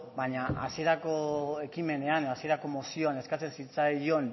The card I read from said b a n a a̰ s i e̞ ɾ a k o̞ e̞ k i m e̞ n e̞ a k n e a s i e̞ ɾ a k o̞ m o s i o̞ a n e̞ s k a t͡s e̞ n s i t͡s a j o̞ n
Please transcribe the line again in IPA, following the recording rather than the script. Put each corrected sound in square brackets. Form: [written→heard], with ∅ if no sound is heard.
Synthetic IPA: b a [n→ɲ] a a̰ s i e̞ ɾ a k o̞ e̞ k i m e̞ n e̞ a [k→∅] n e a s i e̞ ɾ a k o̞ m o s i o̞ a n e̞ s k a t͡s e̞ n s i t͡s a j o̞ n